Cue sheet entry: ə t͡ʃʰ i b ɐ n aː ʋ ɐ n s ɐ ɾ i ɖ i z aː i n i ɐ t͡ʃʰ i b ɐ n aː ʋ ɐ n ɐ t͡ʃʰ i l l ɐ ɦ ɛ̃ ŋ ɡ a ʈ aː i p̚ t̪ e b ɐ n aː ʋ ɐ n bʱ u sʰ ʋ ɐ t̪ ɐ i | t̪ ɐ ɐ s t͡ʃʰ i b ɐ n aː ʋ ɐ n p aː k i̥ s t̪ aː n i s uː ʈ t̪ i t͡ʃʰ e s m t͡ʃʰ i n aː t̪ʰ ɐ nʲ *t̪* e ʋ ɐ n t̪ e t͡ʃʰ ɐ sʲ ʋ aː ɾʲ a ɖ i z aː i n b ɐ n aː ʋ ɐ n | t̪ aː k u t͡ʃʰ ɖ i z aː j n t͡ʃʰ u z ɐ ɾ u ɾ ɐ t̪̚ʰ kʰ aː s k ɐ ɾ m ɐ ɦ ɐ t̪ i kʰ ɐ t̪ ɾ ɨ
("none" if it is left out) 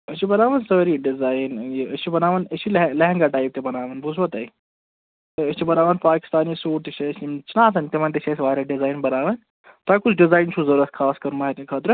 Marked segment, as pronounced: t̪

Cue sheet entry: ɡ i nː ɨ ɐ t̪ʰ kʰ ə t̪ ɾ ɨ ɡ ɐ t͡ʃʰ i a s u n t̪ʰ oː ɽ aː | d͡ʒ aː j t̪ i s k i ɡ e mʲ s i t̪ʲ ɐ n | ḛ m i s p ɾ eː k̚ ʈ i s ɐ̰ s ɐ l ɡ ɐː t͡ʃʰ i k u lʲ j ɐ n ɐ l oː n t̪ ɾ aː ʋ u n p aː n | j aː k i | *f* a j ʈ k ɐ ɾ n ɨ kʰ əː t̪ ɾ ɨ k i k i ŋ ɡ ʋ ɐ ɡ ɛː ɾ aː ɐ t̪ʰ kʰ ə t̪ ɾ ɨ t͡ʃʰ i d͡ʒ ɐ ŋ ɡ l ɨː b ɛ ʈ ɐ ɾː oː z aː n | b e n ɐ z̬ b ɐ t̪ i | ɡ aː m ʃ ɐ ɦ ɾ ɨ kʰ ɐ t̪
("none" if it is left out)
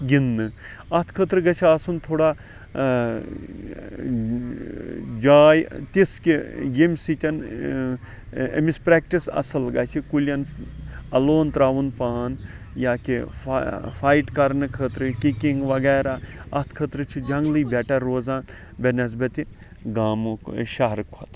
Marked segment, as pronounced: f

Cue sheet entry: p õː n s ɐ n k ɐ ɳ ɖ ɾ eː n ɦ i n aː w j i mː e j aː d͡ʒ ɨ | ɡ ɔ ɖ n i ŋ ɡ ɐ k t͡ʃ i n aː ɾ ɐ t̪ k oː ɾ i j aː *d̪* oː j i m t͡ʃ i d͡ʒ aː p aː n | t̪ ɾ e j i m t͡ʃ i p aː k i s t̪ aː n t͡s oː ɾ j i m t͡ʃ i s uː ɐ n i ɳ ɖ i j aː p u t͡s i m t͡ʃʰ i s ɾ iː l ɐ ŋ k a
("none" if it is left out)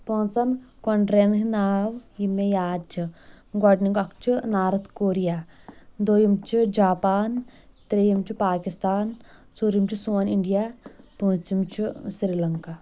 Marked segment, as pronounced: d̪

